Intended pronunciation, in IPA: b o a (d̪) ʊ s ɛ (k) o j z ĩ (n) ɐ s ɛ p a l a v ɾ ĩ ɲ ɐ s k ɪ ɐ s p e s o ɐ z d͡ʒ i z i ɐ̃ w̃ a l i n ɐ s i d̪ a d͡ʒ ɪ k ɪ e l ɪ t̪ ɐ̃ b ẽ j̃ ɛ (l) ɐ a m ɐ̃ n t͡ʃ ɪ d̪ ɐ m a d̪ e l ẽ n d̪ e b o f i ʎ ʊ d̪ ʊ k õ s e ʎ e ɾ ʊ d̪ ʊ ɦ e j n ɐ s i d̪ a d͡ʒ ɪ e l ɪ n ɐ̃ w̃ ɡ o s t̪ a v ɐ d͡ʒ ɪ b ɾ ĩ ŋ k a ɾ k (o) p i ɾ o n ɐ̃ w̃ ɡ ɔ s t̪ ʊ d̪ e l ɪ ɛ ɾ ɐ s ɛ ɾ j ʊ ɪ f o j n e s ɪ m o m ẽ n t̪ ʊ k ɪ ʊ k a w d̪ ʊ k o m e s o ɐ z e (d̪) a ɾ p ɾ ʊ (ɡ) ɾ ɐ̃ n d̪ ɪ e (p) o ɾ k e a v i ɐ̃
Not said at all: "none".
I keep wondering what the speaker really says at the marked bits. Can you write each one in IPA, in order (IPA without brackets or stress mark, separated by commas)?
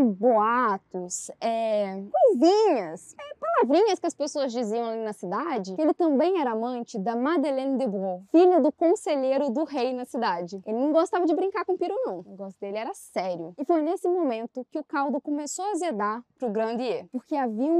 t̪, k, ɲ, ɾ, õ, d̪, ɡ, p